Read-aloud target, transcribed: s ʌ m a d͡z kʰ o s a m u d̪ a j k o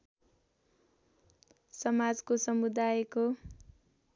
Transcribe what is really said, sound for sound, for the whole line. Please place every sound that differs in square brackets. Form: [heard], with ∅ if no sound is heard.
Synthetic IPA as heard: s ʌ m a d͡z [k] o s [ʌ] m u d̪ a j k o